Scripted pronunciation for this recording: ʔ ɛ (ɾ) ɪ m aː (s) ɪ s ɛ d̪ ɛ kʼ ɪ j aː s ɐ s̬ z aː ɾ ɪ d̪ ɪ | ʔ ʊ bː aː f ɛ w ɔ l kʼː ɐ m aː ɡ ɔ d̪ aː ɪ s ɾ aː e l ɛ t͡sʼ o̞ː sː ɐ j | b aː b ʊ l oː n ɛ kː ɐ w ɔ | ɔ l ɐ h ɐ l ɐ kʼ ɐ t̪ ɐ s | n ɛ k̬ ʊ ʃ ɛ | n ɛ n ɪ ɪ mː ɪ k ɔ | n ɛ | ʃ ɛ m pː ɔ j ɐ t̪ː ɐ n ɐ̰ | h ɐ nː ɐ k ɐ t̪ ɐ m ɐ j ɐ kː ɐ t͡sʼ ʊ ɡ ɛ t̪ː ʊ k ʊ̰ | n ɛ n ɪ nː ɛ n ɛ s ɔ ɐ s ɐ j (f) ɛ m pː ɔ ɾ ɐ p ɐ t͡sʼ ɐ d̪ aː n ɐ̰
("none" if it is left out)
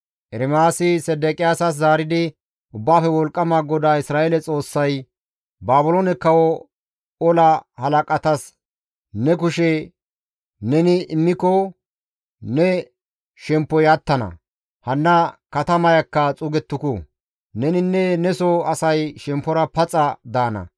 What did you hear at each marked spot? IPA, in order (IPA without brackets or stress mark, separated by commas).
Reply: ɾ, s, ʃ